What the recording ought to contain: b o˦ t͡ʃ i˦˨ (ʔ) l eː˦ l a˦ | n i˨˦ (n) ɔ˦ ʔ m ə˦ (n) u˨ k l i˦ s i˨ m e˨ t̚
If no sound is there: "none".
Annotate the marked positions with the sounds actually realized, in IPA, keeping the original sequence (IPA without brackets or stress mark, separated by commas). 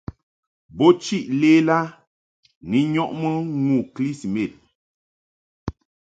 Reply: ʔ, ɲ, ŋ